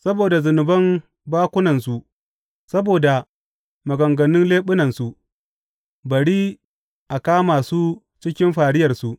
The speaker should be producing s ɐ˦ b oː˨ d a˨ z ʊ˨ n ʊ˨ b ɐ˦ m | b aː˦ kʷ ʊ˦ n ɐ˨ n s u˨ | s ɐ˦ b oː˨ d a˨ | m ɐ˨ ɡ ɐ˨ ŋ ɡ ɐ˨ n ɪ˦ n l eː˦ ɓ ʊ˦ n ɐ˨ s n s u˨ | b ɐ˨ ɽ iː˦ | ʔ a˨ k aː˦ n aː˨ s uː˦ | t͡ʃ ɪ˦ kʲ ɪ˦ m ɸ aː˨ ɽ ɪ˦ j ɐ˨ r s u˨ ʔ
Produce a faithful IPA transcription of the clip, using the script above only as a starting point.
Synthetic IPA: s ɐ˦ b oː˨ d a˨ z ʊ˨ n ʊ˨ b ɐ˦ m | b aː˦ kʷ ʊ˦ n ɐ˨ n s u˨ | s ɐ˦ b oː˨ d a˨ | m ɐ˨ ɡ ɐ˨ ŋ ɡ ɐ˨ n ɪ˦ n l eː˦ ɓ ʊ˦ n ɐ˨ n s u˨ | b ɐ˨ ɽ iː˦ | ʔ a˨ k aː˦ m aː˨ s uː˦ | t͡ʃ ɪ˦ kʲ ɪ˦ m ɸ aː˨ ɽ ɪ˦ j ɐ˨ r s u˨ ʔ